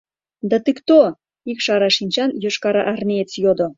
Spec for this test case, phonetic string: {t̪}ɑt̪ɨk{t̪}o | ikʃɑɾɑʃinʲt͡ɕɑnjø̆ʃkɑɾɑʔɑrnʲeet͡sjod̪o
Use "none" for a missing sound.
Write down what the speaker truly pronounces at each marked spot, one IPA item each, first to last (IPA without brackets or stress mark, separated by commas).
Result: d̪, t̪